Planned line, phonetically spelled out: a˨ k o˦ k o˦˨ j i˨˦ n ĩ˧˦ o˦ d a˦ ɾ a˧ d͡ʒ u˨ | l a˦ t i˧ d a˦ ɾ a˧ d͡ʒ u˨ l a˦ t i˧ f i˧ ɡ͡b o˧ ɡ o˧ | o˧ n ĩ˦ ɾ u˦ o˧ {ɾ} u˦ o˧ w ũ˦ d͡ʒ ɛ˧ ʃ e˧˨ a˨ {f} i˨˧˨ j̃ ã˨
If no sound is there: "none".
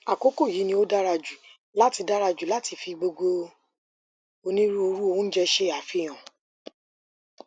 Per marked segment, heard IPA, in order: ɾ, f

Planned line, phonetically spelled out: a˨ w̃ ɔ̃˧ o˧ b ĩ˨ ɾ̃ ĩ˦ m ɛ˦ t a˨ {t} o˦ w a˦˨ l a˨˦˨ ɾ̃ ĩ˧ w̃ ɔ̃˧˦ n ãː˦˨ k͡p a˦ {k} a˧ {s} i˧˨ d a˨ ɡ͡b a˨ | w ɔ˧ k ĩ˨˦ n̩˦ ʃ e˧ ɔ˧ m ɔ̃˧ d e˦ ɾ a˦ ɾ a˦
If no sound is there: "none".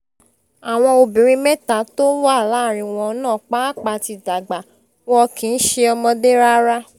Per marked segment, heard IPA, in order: t, k͡p, t

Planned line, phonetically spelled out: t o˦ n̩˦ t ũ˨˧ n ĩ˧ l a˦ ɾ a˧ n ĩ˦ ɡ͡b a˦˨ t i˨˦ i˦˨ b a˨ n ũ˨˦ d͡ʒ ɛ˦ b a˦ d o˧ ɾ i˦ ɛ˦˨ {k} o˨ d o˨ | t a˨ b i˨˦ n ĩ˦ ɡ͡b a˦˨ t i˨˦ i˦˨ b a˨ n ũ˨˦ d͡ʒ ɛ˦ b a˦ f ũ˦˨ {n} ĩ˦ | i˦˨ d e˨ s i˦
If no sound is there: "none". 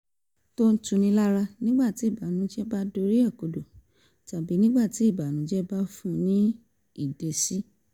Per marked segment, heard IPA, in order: k, n

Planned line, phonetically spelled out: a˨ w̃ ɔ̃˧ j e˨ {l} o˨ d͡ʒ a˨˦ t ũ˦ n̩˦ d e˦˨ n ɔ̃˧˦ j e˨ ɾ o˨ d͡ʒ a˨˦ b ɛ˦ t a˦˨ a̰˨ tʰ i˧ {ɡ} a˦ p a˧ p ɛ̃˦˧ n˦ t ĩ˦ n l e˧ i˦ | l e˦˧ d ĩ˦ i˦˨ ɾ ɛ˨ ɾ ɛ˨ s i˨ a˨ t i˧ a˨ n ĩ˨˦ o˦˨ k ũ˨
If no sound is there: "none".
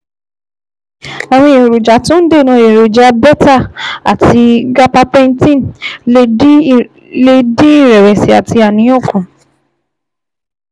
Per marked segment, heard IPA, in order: ɾ, ɡ

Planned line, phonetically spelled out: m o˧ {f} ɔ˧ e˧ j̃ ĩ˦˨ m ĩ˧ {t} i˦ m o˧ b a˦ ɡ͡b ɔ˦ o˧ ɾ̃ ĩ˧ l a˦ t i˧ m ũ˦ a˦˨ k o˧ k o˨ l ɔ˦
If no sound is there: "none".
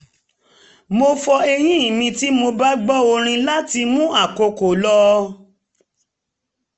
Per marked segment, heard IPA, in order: f, t

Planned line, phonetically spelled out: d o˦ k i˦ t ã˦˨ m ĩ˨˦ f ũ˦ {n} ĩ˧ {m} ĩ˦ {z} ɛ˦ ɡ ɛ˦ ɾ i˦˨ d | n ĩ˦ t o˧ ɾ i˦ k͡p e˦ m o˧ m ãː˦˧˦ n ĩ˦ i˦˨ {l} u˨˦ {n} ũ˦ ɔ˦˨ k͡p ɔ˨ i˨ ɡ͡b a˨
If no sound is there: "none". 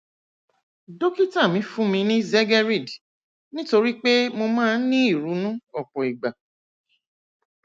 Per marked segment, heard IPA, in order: m, n, z, ɾ, n

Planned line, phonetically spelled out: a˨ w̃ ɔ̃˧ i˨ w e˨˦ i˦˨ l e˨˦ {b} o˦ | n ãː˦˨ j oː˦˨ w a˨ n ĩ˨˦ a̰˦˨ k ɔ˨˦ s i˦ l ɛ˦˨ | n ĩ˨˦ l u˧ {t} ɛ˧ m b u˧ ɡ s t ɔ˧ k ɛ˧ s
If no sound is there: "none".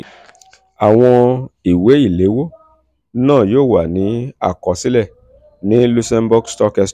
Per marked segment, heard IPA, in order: w, s

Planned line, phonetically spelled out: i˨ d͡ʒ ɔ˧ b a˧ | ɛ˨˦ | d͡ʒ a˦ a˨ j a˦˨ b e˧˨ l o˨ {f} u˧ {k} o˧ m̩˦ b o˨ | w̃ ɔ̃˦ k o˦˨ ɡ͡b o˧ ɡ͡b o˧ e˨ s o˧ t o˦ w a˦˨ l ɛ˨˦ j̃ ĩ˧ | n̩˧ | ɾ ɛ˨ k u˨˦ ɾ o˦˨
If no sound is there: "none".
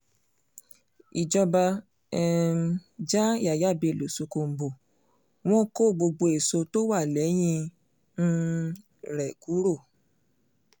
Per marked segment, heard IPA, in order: s, k

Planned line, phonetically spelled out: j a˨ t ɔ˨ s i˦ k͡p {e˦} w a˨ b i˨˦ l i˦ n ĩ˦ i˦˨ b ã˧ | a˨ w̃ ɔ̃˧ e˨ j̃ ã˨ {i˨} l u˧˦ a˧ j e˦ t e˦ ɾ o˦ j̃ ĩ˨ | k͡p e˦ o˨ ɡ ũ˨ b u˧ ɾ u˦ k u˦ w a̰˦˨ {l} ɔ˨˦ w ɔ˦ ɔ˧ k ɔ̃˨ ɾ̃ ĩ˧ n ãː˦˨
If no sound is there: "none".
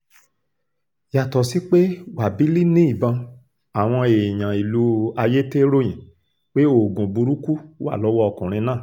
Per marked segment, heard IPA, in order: e˦, i˨, l

